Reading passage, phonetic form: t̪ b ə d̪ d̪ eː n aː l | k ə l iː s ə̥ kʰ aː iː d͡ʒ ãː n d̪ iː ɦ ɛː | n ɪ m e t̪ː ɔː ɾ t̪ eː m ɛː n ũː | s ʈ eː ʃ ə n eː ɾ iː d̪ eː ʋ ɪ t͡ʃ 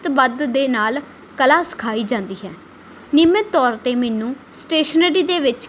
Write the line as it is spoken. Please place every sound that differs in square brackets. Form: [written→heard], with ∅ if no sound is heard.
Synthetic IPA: t̪ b ə d̪ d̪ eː n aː l | k ə l [iː→aː] s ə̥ kʰ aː iː d͡ʒ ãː n d̪ iː ɦ ɛː | n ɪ m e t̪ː ɔː ɾ t̪ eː m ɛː n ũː | s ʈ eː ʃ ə n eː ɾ iː d̪ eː ʋ ɪ t͡ʃ